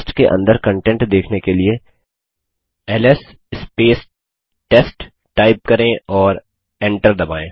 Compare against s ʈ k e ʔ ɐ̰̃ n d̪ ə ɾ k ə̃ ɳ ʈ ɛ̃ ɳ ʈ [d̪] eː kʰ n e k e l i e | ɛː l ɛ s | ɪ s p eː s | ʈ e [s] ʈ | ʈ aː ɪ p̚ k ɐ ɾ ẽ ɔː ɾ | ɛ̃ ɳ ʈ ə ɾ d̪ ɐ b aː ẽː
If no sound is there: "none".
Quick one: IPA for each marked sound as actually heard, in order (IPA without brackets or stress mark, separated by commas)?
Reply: d̪, s